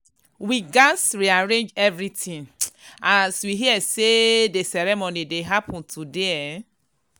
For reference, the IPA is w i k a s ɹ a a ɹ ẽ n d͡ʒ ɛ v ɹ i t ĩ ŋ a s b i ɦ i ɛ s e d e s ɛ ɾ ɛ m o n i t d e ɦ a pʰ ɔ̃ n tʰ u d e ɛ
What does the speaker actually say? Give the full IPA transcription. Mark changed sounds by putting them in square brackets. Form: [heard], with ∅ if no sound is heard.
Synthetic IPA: w i [ɡ] a s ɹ [i] a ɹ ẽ n d͡ʒ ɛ v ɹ i t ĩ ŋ a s [w] i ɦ i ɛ s e d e s ɛ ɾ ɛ m o n i [∅] d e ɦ a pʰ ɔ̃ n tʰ u d e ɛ